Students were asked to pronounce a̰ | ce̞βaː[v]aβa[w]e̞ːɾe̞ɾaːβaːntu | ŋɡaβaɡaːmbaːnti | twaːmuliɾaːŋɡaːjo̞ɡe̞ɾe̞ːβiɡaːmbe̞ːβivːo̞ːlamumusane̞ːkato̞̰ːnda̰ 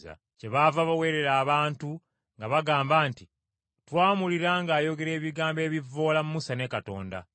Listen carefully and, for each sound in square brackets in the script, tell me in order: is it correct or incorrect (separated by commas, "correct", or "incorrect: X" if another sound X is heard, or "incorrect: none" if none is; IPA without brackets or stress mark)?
correct, correct